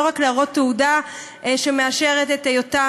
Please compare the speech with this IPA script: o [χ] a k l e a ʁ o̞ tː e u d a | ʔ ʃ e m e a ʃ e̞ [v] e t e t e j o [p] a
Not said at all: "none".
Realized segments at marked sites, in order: ʁ, ʁ, t

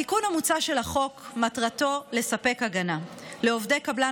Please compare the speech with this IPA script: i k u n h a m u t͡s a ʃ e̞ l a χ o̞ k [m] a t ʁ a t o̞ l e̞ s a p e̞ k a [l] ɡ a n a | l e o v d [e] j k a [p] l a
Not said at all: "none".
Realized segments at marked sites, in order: m, none, e, b

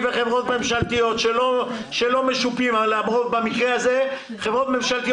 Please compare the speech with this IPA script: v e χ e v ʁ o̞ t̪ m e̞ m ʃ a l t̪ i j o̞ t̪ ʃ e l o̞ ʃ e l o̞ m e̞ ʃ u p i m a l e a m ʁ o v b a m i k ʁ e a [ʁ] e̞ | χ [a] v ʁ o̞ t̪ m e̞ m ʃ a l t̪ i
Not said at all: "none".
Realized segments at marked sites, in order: z, e

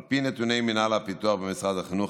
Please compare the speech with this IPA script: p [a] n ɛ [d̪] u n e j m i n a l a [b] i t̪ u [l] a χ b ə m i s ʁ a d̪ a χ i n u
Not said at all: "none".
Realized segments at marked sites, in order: i, t̪, p, none

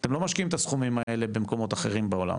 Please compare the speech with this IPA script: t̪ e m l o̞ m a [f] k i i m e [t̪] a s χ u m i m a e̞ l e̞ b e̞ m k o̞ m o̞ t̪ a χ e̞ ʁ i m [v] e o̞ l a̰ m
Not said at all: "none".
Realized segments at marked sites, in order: ʃ, t̪, b

